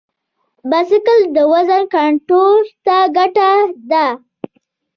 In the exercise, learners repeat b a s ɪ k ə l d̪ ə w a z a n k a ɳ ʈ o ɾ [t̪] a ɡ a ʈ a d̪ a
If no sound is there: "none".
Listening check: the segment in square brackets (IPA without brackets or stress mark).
t̪